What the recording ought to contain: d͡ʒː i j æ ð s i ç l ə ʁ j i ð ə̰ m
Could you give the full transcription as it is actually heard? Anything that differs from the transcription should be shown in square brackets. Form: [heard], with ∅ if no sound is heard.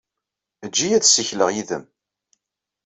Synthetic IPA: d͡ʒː i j æ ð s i ç l ə ʁ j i ð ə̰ m